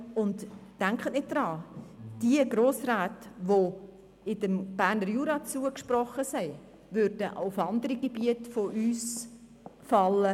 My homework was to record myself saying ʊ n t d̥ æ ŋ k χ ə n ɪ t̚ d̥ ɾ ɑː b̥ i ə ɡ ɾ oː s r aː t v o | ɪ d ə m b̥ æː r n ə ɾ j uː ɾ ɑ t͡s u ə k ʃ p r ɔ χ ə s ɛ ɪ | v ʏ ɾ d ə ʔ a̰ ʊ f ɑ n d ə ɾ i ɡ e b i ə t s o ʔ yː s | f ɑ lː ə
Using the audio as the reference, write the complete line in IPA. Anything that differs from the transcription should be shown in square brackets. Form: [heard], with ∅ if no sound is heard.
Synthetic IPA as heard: ʊ n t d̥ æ ŋ k χ ə n ɪ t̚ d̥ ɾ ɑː [d̥] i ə ɡ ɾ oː s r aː t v o | ɪ d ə m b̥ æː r n ə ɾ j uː ɾ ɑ t͡s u ə k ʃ p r ɔ χ ə s ɛ ɪ | v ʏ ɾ d ə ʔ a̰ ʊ f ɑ n d ə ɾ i ɡ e b i ə t [f] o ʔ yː s | f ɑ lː ə